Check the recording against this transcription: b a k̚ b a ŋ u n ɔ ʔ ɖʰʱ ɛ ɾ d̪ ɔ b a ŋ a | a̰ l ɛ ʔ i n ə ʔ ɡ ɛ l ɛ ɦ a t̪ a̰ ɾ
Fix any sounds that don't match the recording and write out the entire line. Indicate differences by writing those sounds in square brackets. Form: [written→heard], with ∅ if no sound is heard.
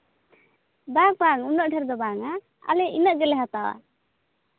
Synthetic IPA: b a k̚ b a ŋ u n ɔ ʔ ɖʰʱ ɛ ɾ d̪ ɔ b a ŋ a | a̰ l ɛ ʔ i n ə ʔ ɡ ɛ l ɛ ɦ a t̪ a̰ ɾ